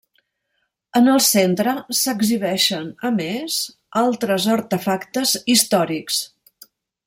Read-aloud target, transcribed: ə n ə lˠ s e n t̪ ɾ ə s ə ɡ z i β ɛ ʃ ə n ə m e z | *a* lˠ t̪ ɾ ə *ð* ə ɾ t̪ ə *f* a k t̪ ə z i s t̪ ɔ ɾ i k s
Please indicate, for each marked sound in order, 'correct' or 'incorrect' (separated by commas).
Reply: correct, incorrect, correct